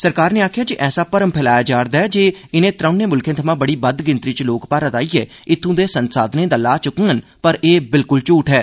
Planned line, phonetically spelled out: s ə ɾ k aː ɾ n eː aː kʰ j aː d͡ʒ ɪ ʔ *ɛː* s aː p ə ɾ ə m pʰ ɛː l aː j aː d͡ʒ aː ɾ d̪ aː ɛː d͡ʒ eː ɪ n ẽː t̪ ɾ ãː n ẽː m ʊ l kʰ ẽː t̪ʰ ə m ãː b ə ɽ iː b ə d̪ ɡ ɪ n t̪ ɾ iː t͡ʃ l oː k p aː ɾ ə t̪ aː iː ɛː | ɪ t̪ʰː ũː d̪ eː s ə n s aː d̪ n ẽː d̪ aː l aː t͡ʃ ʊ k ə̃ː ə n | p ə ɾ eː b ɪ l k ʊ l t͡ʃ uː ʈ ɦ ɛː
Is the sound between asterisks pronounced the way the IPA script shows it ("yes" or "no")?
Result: yes